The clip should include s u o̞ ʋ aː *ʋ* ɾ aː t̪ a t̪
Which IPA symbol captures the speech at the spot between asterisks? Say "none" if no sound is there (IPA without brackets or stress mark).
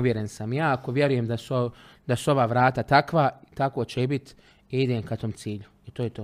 ʋ